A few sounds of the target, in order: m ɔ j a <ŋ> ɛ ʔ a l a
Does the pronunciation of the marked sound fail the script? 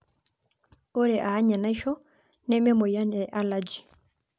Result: yes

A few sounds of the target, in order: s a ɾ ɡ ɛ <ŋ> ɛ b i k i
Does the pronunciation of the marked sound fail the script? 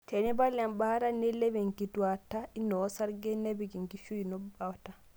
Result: yes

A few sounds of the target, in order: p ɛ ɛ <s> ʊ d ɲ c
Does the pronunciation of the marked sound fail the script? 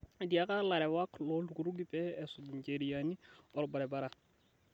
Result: no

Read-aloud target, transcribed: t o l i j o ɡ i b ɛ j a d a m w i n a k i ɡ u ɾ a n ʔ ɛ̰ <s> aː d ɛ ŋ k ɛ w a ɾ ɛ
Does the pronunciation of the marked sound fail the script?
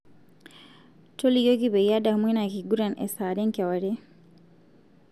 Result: no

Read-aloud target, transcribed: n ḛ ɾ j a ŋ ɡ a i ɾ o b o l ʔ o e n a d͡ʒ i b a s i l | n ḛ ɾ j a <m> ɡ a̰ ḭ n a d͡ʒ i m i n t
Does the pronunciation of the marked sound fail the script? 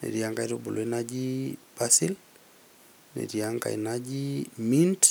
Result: yes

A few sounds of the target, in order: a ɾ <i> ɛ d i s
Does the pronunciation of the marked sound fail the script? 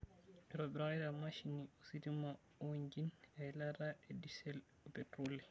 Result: yes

